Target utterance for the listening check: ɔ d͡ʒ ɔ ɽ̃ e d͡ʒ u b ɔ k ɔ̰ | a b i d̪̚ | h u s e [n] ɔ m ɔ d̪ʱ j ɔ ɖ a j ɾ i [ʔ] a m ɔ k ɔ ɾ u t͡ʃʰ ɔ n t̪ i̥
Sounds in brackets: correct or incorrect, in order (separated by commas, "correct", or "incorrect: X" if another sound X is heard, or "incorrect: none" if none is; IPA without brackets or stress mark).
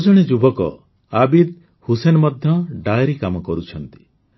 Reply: correct, incorrect: k